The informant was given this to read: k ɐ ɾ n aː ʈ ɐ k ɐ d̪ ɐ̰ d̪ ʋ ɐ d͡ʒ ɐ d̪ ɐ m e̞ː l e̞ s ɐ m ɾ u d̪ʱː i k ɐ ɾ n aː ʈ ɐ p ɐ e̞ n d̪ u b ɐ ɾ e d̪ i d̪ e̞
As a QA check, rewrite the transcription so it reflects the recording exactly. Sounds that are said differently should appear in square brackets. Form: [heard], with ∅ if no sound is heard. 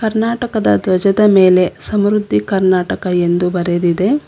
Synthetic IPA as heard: k ɐ ɾ n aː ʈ ɐ k ɐ d̪ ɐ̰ d̪ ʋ ɐ d͡ʒ ɐ d̪ ɐ m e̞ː l e̞ s ɐ m ɾ u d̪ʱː i k ɐ ɾ n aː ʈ ɐ [k] ɐ e̞ n d̪ u b ɐ ɾ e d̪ i d̪ e̞

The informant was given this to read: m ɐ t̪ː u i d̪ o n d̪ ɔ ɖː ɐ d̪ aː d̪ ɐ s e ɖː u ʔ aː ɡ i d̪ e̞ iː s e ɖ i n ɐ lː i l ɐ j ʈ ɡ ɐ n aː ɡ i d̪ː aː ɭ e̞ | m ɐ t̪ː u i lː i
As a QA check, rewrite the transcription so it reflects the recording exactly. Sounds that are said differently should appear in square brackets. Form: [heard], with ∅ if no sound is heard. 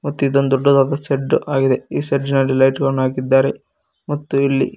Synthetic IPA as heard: m ɐ t̪ː u i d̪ o n d̪ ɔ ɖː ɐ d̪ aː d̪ ɐ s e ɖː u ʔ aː ɡ i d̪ e̞ iː s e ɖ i n ɐ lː i l ɐ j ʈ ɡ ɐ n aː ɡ i d̪ː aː [ɾ] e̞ | m ɐ t̪ː u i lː i

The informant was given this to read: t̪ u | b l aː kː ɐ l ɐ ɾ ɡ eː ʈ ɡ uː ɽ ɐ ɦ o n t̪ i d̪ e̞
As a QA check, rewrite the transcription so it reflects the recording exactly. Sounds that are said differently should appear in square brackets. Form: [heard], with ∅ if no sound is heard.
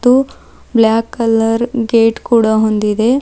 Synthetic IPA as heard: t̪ u | b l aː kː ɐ l ɐ ɾ ɡ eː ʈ [k] uː ɽ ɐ ɦ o n [d̪] i d̪ e̞

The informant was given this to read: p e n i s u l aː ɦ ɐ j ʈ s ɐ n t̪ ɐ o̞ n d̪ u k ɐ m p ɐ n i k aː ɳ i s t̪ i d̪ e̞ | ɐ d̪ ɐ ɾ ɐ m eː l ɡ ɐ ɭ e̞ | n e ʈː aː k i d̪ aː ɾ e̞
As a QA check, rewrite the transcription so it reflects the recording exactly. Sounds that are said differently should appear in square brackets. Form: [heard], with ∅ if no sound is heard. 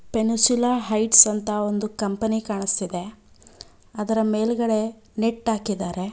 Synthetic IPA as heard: p e n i s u l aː ɦ ɐ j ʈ s ɐ n t̪ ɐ o̞ n d̪ u k ɐ m p ɐ n i k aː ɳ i s t̪ i d̪ e̞ | ɐ d̪ ɐ ɾ ɐ m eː l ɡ ɐ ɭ e̞ | n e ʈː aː k i d̪ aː ɾ e̞

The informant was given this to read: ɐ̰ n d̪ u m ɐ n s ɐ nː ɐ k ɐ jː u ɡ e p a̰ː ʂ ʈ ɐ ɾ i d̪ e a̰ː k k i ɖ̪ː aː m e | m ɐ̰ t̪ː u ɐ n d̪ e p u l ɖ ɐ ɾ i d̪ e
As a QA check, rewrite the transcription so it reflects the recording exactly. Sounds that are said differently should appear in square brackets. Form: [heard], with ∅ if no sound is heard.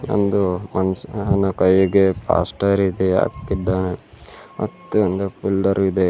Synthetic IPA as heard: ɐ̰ n d̪ u m ɐ n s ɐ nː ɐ k ɐ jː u ɡ e p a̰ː [s] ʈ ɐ ɾ i d̪ e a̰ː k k i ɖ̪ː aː [n] e | m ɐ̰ t̪ː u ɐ n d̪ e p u l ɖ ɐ ɾ i d̪ e

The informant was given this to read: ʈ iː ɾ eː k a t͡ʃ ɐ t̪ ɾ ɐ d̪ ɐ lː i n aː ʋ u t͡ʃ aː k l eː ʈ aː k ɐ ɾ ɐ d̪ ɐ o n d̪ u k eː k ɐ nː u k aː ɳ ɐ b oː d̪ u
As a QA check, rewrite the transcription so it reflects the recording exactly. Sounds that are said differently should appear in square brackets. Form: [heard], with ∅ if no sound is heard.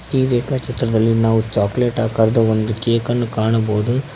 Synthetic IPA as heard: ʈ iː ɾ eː k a t͡ʃ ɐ t̪ ɾ ɐ d̪ ɐ lː i n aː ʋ u t͡ʃ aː k l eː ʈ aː k ɐ ɾ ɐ d̪ ɐ o n d̪ u k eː k ɐ nː u k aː ɳ ɐ b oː d̪ u

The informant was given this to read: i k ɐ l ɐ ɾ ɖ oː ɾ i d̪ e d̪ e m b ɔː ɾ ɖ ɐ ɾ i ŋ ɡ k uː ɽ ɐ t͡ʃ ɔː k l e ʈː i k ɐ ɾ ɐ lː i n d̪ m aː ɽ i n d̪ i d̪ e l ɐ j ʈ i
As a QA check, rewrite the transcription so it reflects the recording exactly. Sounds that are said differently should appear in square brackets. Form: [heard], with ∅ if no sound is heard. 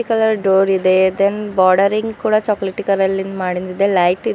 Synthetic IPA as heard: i k ɐ l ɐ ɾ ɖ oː ɾ i d̪ e d̪ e [n] b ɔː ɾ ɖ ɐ ɾ i ŋ ɡ k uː ɽ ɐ t͡ʃ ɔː k l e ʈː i k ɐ ɾ ɐ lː i n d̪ m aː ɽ i n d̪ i d̪ e l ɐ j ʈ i

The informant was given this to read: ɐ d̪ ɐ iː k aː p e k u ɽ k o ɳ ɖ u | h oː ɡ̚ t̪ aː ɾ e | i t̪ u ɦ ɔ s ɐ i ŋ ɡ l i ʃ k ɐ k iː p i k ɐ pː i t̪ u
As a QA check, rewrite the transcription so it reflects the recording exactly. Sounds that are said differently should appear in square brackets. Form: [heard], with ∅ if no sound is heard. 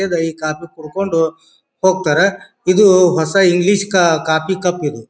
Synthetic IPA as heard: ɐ d̪ ɐ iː k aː p [i] k u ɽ k o ɳ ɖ u | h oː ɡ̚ t̪ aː ɾ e | i [d̪] u ɦ ɔ s ɐ i ŋ ɡ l i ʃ k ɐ k [aː] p i k ɐ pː i [d̪] u

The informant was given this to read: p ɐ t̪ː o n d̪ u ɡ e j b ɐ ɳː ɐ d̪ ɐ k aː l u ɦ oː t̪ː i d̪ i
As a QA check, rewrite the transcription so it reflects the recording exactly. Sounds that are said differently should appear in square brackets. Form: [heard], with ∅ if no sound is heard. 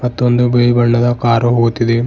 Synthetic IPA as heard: p ɐ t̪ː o n d̪ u [b] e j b ɐ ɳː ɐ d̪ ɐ k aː [ɾ] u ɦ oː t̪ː i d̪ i

